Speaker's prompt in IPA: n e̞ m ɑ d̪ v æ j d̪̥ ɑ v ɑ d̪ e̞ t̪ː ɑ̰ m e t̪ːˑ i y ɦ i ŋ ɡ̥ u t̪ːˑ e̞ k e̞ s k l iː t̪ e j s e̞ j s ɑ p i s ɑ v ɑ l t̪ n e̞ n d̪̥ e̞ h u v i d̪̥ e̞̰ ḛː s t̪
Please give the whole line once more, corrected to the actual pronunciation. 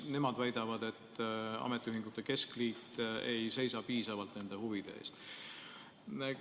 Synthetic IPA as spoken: n e̞ m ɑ d̪ v æ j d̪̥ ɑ v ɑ d̪ e̞ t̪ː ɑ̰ m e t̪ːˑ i y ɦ i ŋ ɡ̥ u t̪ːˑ e̞ k e̞ s k l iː t̪ e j s e̞ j s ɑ p iː s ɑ v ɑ l t̪ n e̞ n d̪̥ e̞ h u v i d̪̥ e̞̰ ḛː s t̪